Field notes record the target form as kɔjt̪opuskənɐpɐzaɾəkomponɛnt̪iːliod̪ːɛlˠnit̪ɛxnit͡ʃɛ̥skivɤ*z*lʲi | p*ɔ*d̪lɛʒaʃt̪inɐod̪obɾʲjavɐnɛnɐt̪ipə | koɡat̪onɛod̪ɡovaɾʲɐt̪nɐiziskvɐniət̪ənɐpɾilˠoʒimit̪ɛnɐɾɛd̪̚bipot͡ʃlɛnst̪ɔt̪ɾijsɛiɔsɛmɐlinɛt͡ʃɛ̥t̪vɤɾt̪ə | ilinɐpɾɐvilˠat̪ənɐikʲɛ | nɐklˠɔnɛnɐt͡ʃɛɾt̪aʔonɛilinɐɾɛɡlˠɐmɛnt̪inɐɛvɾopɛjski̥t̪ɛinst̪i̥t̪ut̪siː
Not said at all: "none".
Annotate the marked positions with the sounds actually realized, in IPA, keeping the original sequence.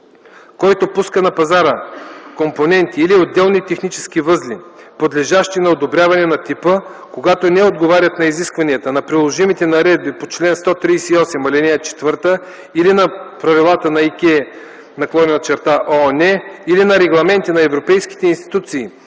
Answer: z, o

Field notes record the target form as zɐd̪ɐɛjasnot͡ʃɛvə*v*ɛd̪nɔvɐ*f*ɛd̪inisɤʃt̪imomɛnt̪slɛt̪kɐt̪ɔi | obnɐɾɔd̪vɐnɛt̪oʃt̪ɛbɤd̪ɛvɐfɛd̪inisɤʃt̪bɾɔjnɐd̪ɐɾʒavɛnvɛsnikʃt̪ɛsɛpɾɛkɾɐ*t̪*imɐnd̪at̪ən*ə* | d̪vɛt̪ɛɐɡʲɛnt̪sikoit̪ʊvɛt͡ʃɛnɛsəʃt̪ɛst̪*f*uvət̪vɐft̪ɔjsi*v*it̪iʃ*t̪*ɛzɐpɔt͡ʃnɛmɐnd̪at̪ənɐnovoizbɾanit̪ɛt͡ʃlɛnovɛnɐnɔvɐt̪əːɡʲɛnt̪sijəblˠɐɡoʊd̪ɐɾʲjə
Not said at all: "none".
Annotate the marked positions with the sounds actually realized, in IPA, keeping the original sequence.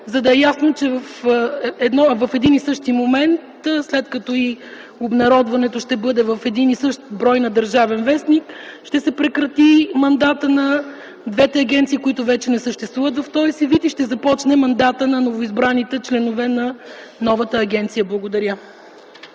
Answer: f, f, t̪, ɐ, v, v, t̪

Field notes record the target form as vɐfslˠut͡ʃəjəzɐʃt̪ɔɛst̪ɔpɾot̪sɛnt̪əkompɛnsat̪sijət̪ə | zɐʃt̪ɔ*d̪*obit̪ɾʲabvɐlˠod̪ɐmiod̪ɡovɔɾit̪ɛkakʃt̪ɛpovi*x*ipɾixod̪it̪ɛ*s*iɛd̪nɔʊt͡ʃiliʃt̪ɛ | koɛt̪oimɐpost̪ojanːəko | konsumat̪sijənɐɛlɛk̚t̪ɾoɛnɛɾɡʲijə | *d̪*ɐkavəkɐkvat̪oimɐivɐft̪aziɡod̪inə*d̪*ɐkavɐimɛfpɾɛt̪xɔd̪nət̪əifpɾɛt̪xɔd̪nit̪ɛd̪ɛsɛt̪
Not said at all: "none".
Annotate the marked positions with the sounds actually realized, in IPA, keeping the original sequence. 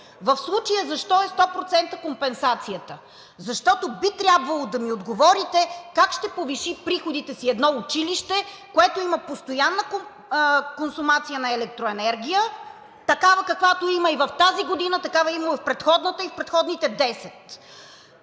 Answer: t̪, ʃ, s, t̪, t̪

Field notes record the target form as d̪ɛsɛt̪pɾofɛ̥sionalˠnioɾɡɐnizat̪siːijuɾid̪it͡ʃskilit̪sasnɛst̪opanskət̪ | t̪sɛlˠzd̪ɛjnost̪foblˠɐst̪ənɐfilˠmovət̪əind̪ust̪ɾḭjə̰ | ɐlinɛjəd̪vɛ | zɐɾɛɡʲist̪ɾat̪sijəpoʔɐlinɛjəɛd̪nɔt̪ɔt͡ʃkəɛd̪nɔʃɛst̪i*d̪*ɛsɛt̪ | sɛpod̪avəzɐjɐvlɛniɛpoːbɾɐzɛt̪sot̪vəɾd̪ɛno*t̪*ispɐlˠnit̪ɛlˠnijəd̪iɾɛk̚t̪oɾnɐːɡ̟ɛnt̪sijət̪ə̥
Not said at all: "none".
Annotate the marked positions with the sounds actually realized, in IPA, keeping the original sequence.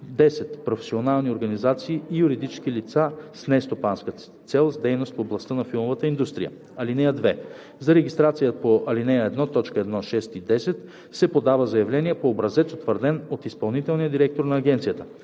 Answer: d̪, t̪

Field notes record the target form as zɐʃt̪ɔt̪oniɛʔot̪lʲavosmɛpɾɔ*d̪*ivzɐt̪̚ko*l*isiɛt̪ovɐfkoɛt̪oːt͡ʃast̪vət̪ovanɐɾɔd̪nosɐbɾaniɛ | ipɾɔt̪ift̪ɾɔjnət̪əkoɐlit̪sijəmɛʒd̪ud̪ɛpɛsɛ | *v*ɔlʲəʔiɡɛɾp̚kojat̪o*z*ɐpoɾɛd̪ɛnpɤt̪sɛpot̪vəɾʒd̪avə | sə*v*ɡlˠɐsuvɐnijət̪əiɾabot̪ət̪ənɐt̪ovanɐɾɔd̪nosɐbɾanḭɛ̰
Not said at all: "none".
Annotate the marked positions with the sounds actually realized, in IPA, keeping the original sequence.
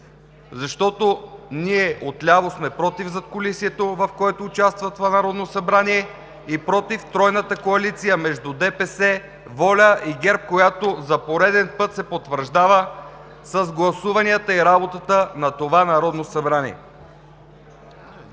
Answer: t̪, l, v, z, z

